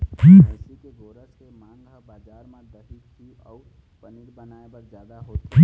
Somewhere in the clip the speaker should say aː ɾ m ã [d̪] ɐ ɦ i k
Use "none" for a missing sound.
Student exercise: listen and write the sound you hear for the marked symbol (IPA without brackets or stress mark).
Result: d̪